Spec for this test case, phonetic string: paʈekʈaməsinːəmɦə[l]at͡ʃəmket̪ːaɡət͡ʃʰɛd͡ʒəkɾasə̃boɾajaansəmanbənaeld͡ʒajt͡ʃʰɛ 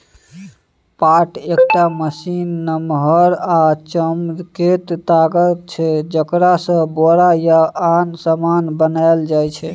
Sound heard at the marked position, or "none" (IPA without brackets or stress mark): ɾ